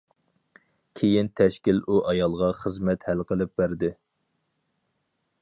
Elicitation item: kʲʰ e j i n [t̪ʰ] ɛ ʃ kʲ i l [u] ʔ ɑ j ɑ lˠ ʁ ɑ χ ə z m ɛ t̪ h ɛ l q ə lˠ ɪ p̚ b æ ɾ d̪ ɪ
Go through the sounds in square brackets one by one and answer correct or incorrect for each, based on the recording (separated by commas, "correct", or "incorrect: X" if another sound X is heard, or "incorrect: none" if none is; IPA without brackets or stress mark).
correct, correct